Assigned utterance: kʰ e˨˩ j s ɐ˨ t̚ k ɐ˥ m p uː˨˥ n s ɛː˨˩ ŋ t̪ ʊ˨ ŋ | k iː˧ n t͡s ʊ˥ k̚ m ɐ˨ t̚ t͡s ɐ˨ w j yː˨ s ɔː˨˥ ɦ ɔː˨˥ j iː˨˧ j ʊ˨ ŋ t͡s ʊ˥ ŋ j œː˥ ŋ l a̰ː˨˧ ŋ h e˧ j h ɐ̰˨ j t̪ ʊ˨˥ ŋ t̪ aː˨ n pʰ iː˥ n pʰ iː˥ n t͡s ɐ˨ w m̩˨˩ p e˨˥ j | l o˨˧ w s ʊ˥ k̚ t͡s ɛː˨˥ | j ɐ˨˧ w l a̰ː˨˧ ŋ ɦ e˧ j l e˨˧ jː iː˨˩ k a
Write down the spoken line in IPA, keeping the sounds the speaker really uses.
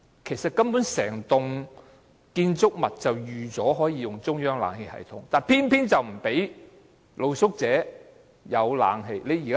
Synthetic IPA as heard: kʰ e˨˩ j s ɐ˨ t̚ k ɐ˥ m p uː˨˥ n s ɛː˨˩ ŋ t̪ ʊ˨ ŋ | k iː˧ n t͡s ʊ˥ k̚ m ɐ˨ t̚ t͡s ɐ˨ w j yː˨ t͡s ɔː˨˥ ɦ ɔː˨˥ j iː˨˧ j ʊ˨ ŋ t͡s ʊ˥ ŋ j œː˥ ŋ l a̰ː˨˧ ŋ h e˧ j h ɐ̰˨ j t̪ʰ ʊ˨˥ ŋ t̪ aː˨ n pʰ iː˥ n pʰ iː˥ n t͡s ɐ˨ w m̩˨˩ p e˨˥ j | l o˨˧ w s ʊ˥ k̚ t͡s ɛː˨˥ | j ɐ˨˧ w l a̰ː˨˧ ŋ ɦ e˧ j l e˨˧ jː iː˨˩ k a